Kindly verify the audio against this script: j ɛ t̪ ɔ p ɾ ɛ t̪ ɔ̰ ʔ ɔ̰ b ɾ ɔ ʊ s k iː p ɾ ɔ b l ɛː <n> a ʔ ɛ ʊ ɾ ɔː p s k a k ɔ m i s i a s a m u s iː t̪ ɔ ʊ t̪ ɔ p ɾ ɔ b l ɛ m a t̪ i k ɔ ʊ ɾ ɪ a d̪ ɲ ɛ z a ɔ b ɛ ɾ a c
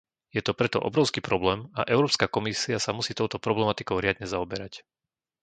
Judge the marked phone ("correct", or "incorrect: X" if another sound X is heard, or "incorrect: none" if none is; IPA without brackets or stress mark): incorrect: m